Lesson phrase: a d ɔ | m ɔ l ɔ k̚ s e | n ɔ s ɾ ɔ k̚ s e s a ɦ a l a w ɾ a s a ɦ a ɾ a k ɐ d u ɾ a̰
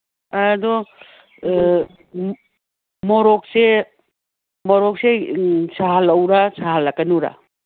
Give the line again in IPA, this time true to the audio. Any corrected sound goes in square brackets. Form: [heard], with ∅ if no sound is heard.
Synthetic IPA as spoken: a d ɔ | m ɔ [ɾ] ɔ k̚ s e | [m] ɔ [∅] ɾ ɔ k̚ s e s a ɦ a l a w ɾ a s a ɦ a [l] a k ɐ [n] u ɾ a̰